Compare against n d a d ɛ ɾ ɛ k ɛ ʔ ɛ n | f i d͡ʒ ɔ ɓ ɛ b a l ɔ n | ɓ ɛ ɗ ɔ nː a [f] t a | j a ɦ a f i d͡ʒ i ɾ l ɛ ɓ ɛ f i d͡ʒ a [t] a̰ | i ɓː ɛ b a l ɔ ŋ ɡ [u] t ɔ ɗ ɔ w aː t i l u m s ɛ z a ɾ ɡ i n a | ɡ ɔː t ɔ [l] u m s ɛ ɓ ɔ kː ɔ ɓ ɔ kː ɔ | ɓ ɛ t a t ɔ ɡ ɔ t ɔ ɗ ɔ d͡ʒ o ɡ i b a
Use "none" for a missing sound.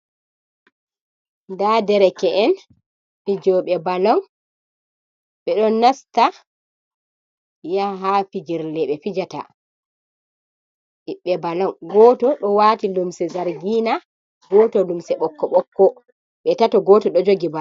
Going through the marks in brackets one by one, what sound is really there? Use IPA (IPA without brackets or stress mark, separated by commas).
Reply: s, t, ɔ, l